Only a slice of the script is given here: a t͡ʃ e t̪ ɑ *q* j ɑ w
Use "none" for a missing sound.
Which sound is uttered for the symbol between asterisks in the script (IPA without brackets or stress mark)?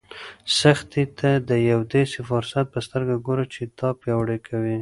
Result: p